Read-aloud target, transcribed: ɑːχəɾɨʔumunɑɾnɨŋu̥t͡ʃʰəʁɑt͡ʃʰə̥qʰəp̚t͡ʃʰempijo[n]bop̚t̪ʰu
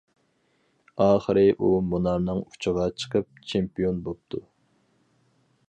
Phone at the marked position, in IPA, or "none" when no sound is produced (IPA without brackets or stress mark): n